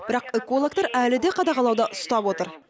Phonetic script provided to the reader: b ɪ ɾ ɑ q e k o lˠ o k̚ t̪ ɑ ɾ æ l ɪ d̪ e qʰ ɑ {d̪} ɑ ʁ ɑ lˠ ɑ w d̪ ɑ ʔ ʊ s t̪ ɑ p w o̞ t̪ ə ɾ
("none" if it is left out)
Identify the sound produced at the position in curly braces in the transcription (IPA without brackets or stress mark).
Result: d̪